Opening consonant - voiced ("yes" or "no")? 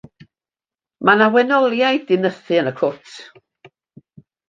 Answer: yes